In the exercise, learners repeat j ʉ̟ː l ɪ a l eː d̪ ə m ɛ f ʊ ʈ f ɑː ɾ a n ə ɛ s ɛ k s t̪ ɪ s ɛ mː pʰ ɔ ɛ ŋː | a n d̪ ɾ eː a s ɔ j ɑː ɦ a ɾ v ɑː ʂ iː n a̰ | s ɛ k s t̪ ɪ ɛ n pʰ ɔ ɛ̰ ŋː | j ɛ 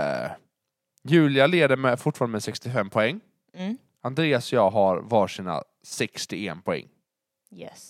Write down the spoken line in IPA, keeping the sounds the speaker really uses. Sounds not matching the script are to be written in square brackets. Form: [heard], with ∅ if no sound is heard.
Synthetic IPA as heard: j ʉ̟ː l ɪ a l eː d̪ ə m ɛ f ʊ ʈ f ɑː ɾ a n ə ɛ s ɛ k s t̪ ɪ [f] ɛ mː pʰ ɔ ɛ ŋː | a n d̪ ɾ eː a s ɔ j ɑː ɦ a ɾ v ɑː ʂ iː n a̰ | s ɛ k s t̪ ɪ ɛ n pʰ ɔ ɛ̰ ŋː | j ɛ